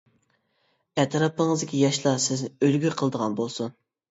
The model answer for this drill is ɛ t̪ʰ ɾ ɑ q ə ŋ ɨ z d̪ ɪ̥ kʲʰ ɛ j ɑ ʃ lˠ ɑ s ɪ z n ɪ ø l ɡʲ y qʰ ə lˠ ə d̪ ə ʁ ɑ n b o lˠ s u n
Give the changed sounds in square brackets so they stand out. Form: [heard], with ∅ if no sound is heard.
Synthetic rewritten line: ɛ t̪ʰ ɾ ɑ [p] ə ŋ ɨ z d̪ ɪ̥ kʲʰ [i] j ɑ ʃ lˠ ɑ s ɪ z n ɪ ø l ɡʲ y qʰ ə lˠ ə d̪ ə ʁ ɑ n b o lˠ s u n